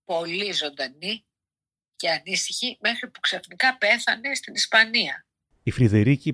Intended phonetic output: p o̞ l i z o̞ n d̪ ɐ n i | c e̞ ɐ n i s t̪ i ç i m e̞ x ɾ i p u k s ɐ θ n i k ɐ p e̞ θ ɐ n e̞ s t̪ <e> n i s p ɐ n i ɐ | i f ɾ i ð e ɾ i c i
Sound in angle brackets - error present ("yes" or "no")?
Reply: yes